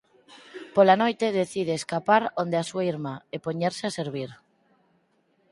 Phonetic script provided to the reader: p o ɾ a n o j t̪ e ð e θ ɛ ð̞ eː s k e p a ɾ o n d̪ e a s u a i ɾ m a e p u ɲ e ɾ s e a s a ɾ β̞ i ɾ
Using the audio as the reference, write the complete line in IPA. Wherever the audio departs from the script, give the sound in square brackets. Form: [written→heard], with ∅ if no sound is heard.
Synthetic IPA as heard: p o [ɾ→l] a n o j t̪ e ð e θ [ɛ→i] ð̞ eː s k [e→a] p a ɾ o n d̪ e a s u a i ɾ m a e p [u→o] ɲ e ɾ s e a s [a→e] ɾ β̞ i ɾ